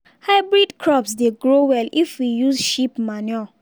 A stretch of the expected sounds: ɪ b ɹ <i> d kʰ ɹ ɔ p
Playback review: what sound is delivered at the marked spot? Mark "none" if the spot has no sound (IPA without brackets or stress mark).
i